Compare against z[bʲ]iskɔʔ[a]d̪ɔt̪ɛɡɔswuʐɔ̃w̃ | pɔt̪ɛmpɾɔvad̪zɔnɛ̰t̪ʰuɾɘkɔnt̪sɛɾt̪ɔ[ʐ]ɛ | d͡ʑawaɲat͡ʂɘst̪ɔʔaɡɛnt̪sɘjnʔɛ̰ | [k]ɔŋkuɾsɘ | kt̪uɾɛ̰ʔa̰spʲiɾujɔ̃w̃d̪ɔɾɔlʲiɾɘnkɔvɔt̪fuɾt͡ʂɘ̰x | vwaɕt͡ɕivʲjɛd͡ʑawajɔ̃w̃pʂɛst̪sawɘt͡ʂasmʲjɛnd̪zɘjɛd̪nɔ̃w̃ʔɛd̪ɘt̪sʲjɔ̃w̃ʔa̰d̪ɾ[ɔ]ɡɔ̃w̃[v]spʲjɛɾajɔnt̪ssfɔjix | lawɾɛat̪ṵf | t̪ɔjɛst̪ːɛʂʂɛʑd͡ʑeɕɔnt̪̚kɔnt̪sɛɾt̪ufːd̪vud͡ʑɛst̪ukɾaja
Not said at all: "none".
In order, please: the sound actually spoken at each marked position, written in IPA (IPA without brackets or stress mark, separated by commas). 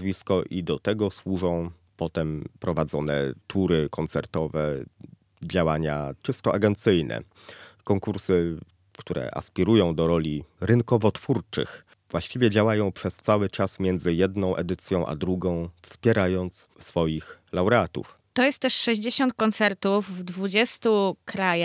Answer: vʲ, i, v, k, u, f